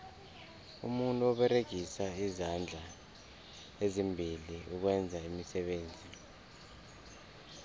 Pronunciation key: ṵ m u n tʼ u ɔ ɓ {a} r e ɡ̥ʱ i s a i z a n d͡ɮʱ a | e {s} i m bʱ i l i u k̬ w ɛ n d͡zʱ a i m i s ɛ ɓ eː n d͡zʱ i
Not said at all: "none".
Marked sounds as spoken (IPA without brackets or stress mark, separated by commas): ɛ, z